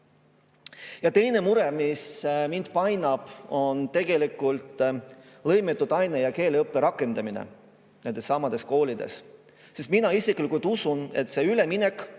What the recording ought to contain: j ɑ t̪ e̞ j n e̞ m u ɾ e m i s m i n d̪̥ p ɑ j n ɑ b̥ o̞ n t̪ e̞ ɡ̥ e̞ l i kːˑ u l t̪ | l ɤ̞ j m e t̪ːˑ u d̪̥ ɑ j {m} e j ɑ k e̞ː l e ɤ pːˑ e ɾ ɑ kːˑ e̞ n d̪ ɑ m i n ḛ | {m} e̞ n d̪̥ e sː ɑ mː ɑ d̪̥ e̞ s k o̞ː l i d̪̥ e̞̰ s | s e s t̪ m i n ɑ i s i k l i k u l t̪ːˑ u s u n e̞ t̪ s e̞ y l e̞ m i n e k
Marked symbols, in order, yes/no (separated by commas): no, no